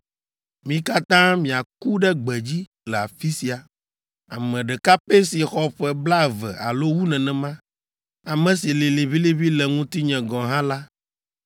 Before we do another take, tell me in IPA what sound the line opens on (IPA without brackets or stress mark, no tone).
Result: m